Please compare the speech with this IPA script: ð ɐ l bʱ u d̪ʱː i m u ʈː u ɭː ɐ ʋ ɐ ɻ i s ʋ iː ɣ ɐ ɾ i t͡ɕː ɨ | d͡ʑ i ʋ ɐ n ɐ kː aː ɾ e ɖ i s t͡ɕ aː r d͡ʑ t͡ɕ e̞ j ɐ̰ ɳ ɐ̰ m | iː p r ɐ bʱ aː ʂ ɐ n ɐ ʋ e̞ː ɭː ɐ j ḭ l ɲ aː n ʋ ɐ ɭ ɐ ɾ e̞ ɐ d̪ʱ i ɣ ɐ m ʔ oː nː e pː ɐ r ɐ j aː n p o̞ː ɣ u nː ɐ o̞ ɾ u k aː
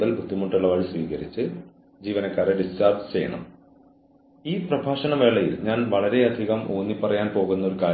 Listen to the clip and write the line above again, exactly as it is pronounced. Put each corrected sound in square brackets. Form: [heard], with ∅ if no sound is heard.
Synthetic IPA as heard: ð ɐ l bʱ u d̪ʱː i m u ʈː u ɭː ɐ ʋ ɐ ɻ i s ʋ iː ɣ ɐ ɾ i t͡ɕː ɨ | d͡ʑ [iː] ʋ ɐ n ɐ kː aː ɾ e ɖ i s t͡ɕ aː r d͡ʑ t͡ɕ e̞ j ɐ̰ ɳ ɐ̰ m | iː p r ɐ bʱ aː ʂ ɐ n ɐ ʋ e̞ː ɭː ɐ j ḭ l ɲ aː n ʋ ɐ ɭ ɐ ɾ e̞ ɐ d̪ʱ i ɣ ɐ m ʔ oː nː [i] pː ɐ r ɐ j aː n p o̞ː ɣ u nː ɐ o̞ ɾ u k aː